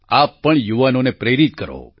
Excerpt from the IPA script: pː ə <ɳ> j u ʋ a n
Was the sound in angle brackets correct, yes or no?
yes